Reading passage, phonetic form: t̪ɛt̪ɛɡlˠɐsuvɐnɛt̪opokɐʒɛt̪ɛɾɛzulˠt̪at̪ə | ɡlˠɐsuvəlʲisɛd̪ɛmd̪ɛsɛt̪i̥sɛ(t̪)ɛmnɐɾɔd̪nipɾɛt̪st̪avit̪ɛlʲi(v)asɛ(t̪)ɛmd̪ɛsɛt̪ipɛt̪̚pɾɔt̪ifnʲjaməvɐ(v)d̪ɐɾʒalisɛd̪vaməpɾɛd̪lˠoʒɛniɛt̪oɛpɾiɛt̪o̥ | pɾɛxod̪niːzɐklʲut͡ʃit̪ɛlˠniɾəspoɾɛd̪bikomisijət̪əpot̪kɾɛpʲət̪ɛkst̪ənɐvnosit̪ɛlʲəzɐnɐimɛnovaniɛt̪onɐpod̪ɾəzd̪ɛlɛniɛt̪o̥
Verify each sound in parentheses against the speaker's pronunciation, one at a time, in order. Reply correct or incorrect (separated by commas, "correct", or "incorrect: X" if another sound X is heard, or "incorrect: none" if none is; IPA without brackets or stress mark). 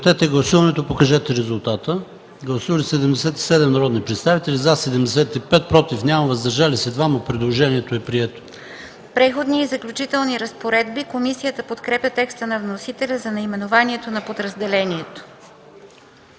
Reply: incorrect: d̪, incorrect: z, incorrect: d̪, incorrect: z